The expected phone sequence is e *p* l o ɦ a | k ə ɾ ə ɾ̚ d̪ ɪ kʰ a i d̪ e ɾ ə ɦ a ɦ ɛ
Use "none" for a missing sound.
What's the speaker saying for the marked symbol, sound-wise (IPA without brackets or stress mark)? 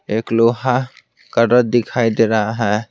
k